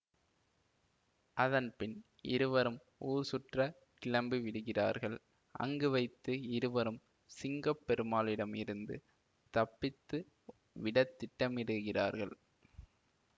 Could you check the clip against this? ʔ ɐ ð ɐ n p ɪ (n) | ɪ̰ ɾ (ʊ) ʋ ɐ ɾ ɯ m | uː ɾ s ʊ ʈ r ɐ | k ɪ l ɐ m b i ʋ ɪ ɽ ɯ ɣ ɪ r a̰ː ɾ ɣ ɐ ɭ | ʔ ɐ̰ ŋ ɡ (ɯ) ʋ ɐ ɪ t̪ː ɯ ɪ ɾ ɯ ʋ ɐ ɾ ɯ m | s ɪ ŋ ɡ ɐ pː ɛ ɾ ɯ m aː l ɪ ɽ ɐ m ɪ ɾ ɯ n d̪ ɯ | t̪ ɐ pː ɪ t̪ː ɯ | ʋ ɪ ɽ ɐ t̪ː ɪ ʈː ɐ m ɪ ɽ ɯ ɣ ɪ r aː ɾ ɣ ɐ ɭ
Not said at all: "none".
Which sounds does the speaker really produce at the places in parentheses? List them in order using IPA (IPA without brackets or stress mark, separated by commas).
n, ɯ, ɯ